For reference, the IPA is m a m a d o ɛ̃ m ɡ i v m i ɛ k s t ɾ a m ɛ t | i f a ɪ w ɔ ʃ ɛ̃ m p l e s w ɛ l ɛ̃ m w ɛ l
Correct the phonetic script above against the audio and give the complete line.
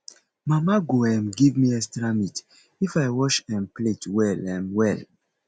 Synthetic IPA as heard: m a m a ɡ o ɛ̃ m ɡ i v m i ɛ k s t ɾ a m i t | i f a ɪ w ɔ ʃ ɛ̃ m p l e t w ɛ l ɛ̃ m w ɛ l